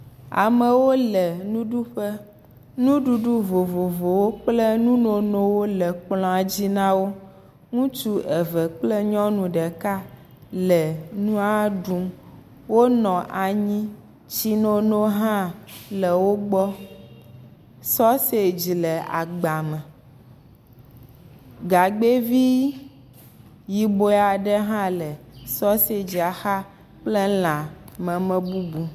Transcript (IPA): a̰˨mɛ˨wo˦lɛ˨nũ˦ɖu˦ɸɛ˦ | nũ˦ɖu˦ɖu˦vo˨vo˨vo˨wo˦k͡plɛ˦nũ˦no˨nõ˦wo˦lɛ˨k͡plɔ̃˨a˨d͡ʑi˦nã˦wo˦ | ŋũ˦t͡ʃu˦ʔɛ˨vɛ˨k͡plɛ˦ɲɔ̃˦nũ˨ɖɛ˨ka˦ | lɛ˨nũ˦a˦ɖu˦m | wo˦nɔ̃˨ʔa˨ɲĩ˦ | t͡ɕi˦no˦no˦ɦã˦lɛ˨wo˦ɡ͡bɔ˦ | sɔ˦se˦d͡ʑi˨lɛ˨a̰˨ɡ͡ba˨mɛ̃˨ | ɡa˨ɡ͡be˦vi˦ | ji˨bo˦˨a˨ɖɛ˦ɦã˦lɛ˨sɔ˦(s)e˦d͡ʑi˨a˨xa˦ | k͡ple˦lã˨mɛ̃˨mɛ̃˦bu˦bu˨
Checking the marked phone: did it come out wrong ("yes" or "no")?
no